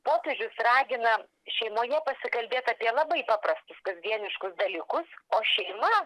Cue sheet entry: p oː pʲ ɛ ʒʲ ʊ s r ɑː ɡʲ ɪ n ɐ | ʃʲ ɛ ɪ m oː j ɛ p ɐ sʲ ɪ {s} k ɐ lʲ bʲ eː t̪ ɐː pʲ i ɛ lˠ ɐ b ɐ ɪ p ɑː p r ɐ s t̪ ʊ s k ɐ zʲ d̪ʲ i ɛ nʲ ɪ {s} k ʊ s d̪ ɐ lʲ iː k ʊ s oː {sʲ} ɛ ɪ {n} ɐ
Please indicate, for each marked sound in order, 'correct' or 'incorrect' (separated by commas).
incorrect, incorrect, incorrect, incorrect